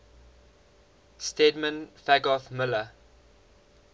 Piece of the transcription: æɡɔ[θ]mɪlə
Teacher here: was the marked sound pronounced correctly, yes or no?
yes